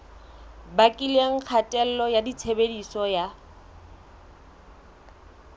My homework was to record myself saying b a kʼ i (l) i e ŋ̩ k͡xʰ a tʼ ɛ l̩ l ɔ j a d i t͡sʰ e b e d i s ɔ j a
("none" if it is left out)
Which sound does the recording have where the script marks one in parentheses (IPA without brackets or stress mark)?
l